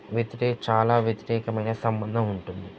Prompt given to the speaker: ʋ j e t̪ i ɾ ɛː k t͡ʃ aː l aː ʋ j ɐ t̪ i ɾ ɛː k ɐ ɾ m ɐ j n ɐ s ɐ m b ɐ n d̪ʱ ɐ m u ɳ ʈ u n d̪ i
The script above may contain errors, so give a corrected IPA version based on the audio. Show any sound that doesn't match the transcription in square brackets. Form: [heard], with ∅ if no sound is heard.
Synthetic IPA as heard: ʋ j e t̪ i ɾ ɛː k t͡ʃ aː l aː ʋ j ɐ t̪ i ɾ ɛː k ɐ [∅] m ɐ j n ɐ s ɐ m b ɐ n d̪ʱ ɐ m u ɳ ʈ u n d̪ i